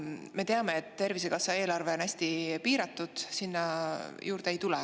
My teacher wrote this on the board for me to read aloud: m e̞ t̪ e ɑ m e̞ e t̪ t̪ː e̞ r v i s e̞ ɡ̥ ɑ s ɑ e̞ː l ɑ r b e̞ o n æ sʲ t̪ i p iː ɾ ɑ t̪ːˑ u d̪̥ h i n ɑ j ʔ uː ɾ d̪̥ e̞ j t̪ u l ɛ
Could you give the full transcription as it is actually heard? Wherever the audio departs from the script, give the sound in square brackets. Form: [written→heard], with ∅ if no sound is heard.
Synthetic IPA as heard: m e̞ t̪ e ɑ m e̞ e t̪ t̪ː e̞ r v i s e̞ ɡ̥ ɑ s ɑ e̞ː l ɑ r [b→v] e̞ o n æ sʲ t̪ i p iː ɾ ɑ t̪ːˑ u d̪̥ [h→s] i [n→nː] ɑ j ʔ uː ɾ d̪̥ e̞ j t̪ u l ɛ